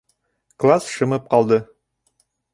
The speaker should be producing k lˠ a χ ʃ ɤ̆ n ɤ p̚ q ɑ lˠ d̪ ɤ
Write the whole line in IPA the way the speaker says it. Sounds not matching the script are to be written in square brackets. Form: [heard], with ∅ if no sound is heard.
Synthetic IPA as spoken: k lˠ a [s] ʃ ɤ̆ [m] ɤ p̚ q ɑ lˠ d̪ ɤ